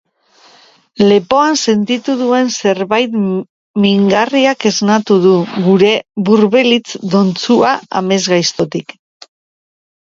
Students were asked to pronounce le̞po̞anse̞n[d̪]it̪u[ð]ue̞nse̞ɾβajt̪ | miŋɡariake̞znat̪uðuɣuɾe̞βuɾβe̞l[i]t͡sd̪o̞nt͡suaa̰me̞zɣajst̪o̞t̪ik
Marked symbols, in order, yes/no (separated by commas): no, yes, yes